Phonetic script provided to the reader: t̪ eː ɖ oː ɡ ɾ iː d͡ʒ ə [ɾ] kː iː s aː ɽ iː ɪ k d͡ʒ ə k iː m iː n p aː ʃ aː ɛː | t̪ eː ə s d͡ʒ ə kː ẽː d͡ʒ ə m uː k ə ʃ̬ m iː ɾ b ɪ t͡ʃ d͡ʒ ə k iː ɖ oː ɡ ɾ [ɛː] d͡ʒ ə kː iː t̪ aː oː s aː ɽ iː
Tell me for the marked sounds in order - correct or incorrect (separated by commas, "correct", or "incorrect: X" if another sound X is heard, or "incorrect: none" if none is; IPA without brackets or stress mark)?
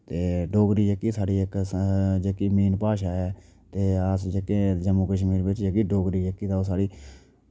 incorrect: none, incorrect: iː